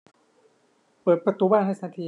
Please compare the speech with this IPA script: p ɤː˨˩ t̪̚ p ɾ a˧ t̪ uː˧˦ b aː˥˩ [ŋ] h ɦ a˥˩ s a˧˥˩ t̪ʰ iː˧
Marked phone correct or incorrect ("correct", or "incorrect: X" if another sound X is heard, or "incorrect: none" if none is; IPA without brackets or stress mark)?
incorrect: n